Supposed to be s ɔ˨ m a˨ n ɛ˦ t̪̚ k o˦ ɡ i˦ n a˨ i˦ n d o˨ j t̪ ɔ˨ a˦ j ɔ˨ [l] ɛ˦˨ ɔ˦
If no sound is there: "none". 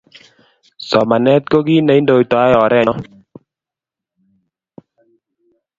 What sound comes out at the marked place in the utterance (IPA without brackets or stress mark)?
ɾ